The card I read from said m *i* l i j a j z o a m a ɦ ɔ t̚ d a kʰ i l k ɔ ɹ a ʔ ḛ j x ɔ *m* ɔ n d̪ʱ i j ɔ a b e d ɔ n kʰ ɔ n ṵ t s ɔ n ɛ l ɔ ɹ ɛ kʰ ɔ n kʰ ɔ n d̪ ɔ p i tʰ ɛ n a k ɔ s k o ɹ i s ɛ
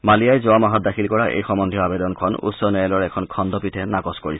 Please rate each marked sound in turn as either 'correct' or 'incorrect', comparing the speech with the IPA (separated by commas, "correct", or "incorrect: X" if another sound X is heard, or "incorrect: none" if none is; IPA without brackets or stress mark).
incorrect: a, correct